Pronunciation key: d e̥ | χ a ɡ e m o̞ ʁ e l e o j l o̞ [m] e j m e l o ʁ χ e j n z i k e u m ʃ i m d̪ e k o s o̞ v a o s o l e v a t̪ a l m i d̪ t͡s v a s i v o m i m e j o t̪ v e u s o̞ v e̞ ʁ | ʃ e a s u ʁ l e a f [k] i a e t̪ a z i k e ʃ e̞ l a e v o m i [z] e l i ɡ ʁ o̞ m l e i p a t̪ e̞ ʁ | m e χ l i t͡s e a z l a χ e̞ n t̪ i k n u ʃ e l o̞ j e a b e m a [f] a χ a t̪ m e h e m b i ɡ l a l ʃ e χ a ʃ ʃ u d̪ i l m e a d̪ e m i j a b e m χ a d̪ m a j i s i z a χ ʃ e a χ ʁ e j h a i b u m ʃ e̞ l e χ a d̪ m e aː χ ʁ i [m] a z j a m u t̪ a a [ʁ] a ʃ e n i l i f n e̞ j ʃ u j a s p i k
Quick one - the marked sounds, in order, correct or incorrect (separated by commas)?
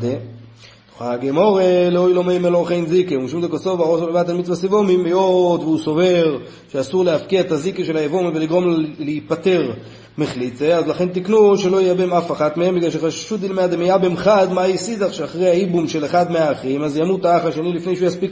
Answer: correct, correct, incorrect, correct, correct, incorrect